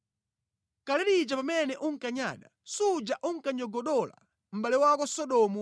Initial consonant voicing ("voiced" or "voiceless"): voiceless